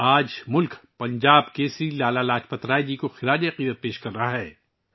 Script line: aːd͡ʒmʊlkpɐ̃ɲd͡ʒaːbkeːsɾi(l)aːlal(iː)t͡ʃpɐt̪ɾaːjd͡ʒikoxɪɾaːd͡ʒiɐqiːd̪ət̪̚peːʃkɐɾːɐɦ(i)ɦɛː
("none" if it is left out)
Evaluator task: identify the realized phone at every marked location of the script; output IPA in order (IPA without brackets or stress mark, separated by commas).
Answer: l, aː, a